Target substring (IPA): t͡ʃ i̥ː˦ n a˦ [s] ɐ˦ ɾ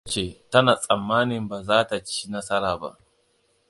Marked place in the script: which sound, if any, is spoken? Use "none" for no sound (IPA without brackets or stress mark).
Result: s